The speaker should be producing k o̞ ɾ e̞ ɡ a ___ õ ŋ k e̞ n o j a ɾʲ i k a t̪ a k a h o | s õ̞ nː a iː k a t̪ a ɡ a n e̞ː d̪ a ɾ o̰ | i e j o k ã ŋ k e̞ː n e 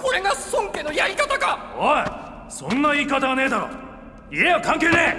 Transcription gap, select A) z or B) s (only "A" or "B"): B